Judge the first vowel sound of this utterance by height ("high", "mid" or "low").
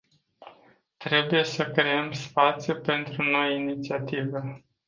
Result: mid